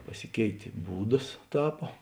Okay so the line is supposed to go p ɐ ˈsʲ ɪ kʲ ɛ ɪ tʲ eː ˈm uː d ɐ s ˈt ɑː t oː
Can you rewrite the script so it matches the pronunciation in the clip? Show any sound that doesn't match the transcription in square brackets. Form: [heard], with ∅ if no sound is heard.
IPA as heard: p ɐ ˈsʲ ɪ kʲ ɛ ɪ tʲ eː [ˈb] uː d ɐ s ˈt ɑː [p] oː